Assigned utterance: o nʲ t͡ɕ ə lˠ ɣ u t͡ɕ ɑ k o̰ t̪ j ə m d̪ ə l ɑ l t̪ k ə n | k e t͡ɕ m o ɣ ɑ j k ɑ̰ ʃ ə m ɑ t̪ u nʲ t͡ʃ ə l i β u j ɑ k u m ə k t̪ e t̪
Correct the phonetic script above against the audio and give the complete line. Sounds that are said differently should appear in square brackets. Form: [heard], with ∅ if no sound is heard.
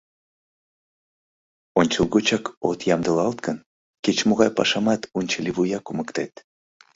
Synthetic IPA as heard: o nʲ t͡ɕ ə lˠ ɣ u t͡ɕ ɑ k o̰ t̪ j [ɑ] m d̪ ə l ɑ l t̪ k ə n | k e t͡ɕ m o ɣ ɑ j [p] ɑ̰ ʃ [ɑ] m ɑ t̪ u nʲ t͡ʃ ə l i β u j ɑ k u m ə k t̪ e t̪

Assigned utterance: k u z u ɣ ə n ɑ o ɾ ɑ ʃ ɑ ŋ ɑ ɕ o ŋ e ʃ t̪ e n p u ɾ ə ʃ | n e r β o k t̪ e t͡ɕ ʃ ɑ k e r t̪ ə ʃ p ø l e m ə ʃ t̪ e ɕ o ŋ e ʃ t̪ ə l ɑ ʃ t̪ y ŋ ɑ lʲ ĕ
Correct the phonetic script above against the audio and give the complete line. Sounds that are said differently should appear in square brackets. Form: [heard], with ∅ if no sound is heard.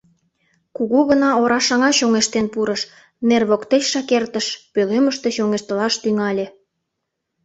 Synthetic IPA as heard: k u [ɣ] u ɣ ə n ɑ o ɾ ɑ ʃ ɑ ŋ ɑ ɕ o ŋ e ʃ t̪ e n p u ɾ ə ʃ | n e r β o k t̪ e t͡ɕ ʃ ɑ k e r t̪ ə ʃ p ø l e m ə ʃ t̪ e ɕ o ŋ e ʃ t̪ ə l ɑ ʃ t̪ y ŋ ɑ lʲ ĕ

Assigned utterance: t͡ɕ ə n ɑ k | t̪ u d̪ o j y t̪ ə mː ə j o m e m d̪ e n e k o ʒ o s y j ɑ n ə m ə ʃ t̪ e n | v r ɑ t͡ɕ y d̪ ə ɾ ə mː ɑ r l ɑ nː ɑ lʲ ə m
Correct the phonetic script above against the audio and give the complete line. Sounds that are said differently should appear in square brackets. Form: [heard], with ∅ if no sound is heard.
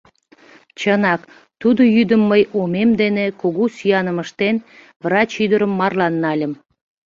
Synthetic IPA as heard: t͡ɕ ə n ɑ k | t̪ u d̪ o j y [d̪] ə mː ə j o m e m d̪ e n e k o [ɣ] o s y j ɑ n ə m ə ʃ t̪ e n | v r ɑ t͡ɕ y d̪ ə ɾ ə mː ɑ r l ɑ nː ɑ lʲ ə m

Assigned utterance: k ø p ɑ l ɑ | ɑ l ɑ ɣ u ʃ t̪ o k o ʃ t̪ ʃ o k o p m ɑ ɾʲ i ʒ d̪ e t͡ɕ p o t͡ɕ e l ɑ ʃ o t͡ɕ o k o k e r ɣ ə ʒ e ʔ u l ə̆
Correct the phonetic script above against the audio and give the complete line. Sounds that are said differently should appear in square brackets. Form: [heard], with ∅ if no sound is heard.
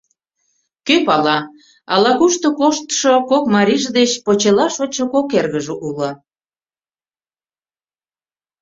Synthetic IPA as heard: k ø p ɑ l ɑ | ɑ l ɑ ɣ u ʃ t̪ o k o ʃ t̪ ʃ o k o [k] m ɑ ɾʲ i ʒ d̪ e t͡ɕ p o t͡ɕ e l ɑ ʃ o t͡ɕ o k o k e r ɣ ə ʒ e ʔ u l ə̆

